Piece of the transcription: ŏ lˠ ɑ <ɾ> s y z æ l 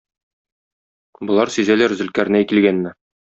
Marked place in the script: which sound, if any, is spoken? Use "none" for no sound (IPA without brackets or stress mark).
ɾ